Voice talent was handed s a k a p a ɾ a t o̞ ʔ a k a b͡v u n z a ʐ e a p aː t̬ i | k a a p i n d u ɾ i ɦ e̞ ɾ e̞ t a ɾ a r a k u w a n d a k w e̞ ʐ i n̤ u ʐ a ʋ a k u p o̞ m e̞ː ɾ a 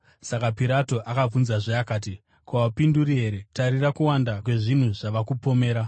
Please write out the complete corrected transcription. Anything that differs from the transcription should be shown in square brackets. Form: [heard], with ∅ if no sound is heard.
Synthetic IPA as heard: s a k a p [i] ɾ a t o̞ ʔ a k a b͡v u n z a ʐ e a [k] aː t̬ i | k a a p i n d u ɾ i ɦ e̞ ɾ e̞ t a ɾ [i] r a k u w a n d a k w e̞ ʐ i n̤ u ʐ a ʋ a k u p o̞ m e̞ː ɾ a